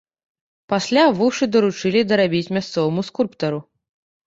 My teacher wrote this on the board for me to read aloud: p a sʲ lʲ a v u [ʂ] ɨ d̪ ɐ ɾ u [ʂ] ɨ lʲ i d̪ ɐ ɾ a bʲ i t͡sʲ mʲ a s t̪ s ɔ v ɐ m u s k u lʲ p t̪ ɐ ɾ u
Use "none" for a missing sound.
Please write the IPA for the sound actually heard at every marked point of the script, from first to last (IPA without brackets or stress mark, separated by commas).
ʂ, t͡ʂ